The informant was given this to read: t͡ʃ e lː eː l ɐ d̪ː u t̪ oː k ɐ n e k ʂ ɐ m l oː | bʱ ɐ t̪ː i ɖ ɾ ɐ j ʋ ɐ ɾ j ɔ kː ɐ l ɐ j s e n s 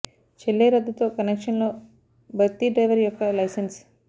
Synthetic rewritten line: t͡ʃ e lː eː ɾ ɐ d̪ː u t̪ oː k ɐ n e k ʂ ɐ n l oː | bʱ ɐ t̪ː i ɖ ɾ ɐ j ʋ ɐ ɾ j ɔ kː ɐ l ɐ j s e n s